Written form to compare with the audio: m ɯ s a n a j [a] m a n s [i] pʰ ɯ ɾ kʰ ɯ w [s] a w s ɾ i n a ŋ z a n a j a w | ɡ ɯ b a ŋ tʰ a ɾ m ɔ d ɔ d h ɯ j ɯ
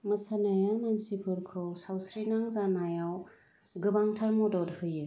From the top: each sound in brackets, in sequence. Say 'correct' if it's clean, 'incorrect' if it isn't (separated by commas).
correct, correct, correct